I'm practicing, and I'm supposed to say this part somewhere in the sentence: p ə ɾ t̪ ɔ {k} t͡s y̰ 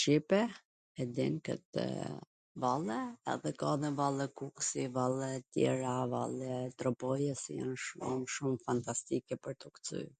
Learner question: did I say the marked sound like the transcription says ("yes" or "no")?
yes